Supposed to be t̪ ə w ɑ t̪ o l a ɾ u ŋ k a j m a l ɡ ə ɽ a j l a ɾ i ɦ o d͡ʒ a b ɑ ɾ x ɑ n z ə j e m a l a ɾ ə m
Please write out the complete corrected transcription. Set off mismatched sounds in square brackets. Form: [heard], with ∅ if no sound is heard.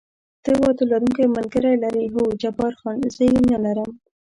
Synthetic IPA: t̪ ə w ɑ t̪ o l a ɾ u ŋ k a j m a l ɡ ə [ɾ] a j l a ɾ i ɦ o d͡ʒ a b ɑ ɾ x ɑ n z ə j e [n] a l a ɾ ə m